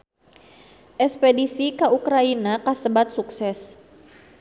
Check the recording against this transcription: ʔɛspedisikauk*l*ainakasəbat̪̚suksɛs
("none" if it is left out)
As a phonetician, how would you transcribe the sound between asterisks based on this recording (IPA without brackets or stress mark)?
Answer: ɾ